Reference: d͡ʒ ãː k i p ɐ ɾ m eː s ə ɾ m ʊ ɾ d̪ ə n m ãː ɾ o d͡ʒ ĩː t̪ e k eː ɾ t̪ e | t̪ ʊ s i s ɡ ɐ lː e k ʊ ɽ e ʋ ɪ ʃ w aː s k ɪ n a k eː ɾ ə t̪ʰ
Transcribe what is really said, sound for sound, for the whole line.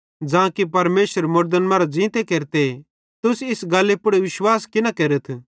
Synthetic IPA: d͡ʒ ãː k i p ɐ ɾ m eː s ə ɾ m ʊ ɾ d̪ ə n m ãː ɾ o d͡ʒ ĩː t̪ e k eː ɾ t̪ e | t̪ ʊ s ɪ s ɡ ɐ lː e p ʊ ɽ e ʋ ɪ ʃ w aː s k ɪ n a k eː ɾ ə t̪ʰ